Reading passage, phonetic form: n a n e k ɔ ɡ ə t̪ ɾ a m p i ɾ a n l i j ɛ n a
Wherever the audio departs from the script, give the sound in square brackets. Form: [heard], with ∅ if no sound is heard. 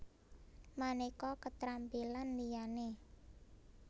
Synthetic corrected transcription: [m] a n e k ɔ [k] ə t̪ ɾ a m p i [l] a n l i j [a] n [e]